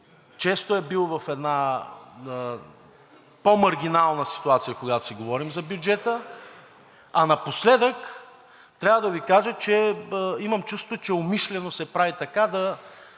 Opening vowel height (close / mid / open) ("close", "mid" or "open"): mid